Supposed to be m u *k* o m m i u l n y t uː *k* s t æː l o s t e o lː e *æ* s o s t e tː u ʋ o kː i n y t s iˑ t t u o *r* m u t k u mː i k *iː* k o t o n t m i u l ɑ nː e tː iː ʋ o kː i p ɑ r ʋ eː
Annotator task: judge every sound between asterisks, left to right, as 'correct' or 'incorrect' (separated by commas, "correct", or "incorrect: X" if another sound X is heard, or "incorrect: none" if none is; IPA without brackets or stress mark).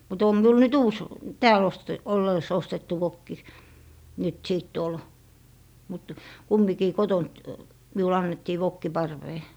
incorrect: t, incorrect: none, incorrect: i, incorrect: l, correct